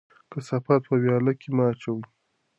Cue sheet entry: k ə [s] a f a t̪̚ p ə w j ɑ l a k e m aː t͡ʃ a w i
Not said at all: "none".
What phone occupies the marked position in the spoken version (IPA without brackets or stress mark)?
s